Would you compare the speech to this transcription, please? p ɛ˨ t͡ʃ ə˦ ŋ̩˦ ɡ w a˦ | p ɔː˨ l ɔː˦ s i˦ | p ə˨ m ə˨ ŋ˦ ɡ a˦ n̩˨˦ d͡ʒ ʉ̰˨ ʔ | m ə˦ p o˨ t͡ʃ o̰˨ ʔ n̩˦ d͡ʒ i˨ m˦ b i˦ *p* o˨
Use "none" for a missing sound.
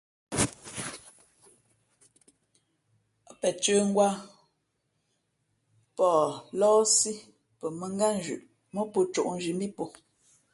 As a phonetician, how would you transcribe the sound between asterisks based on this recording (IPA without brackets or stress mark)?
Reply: p